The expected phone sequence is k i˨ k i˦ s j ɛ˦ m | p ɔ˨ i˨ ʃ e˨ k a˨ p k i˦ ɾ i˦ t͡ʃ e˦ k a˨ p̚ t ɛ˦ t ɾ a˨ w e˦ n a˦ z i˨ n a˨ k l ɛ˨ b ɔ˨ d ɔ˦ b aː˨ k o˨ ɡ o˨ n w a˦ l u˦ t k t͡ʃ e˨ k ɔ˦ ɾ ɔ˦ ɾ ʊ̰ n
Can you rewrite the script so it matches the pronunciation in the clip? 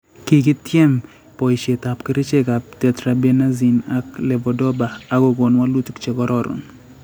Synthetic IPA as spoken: k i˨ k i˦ t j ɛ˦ m | p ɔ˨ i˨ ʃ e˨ t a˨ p k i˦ ɾ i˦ t͡ʃ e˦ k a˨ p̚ t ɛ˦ t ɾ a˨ b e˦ n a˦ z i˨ n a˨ k l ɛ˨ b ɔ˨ d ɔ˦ b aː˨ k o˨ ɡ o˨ n w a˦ l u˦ t k t͡ʃ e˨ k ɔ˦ ɾ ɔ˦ ɾ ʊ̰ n